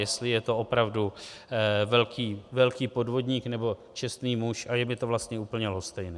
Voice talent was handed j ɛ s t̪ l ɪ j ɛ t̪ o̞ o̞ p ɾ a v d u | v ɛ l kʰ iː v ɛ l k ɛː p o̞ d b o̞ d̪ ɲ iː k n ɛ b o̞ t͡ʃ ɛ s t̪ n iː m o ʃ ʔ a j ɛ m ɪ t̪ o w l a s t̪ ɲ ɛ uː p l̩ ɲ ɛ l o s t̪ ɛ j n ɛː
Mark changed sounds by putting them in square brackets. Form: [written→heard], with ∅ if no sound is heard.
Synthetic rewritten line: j ɛ s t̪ l ɪ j ɛ t̪ o̞ o̞ p ɾ a v d u | v ɛ l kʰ iː v ɛ l k [ɛː→iː] p o̞ d [b→v] o̞ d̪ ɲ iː k n ɛ b o̞ t͡ʃ ɛ s t̪ n iː m [o→u] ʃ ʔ a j ɛ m ɪ t̪ o [w→v] l a s t̪ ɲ ɛ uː p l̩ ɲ ɛ l o s t̪ ɛ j n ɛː